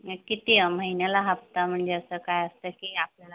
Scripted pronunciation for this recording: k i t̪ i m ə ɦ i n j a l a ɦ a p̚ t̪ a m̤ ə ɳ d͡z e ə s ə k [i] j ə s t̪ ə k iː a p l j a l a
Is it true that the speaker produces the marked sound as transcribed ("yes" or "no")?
no